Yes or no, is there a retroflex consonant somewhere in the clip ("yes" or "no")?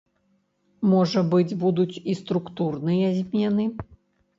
yes